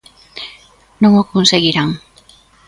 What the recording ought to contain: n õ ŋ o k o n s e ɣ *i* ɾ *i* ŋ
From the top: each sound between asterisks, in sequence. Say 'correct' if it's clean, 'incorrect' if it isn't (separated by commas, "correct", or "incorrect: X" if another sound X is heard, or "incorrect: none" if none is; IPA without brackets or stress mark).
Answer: correct, incorrect: a